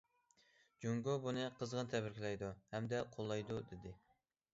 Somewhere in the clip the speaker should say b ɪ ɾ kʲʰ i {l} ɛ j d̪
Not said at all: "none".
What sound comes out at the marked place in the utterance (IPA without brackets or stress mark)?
l